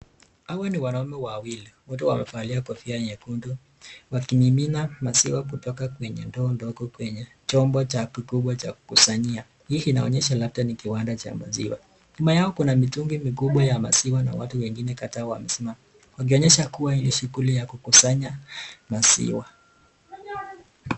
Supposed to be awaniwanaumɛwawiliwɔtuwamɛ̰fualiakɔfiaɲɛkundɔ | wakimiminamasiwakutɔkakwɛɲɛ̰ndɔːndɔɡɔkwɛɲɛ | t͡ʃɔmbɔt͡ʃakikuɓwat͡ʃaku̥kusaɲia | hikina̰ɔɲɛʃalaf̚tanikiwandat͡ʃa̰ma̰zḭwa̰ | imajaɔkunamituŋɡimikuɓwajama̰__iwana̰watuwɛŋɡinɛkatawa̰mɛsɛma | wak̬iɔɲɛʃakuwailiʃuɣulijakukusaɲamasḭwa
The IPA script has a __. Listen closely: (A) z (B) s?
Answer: B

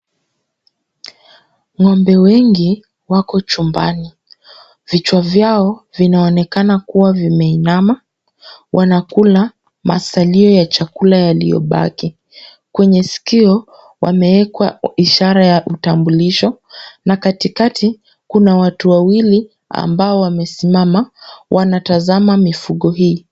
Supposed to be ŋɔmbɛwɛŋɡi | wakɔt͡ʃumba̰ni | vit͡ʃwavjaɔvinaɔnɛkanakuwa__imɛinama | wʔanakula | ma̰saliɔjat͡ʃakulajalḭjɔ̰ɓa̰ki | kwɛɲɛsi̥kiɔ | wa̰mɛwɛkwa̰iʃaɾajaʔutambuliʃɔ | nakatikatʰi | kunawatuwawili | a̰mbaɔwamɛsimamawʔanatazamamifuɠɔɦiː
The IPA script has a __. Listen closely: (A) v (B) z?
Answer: A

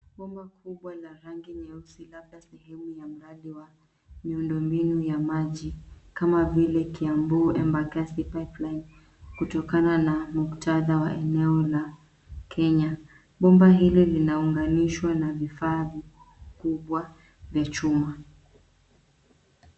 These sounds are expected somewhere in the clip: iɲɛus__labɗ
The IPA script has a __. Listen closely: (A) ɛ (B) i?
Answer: B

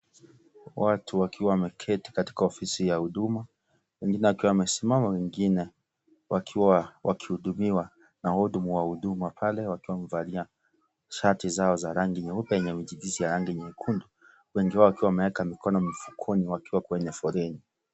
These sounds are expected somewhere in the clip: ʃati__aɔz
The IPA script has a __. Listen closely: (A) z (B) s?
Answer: A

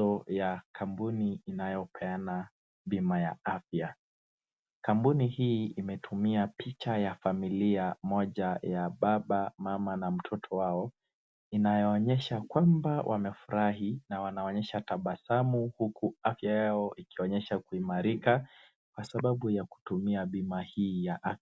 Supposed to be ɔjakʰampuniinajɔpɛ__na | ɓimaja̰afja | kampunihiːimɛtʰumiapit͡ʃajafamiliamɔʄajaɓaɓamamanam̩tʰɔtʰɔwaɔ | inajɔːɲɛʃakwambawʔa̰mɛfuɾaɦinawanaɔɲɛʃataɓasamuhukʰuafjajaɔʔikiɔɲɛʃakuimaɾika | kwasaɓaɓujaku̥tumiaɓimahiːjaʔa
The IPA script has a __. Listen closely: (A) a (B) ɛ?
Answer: A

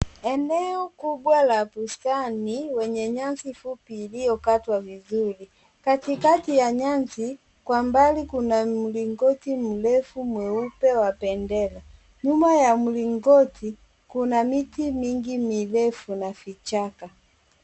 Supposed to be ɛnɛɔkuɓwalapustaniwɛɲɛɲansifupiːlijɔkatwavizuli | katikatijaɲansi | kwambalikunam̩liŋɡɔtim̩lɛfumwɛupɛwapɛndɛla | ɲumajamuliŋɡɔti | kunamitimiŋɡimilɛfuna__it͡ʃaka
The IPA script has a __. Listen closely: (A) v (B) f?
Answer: B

